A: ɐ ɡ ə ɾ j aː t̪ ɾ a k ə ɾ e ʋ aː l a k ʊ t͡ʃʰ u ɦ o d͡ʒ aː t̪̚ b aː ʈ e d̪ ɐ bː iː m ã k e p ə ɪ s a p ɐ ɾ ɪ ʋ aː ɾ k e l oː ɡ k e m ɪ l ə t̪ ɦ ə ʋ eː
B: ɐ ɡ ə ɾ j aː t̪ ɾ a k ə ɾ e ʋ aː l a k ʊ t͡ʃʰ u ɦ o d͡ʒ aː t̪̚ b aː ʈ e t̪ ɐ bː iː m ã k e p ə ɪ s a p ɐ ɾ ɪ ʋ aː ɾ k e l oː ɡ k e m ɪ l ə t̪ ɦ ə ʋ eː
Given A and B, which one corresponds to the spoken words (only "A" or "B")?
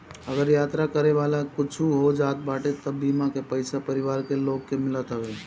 B